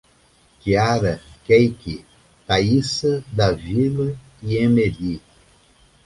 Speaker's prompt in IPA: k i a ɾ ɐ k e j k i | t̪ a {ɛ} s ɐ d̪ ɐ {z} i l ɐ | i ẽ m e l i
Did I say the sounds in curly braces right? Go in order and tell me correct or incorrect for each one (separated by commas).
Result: incorrect, incorrect